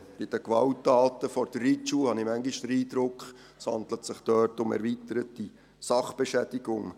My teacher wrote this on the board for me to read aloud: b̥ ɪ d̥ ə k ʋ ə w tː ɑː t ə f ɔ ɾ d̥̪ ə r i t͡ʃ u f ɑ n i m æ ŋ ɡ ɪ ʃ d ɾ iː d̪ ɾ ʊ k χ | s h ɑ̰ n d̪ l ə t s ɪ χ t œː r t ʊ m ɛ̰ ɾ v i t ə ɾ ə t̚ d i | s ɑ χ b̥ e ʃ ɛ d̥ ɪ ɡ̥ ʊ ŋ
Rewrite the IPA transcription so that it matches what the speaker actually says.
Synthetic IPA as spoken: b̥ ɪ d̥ ə k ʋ ɑ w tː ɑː t ə f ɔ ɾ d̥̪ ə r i t͡ʃ u h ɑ n i m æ ŋ ɡ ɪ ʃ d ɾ iː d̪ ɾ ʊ k χ | s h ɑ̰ n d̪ l ə t s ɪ χ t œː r t ʊ m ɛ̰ ɾ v i t ə ɾ ə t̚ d i | s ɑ χ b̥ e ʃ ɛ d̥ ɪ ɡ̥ ʊ ŋ